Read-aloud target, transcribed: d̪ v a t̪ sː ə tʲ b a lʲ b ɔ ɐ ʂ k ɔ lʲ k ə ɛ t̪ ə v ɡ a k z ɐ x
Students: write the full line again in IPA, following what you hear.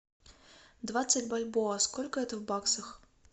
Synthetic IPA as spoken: d̪ v a t̪ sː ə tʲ b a lʲ b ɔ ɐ s k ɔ lʲ k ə ɛ t̪ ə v b a k s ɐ x